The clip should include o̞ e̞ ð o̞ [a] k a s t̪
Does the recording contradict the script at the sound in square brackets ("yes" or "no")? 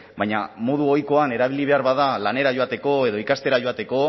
yes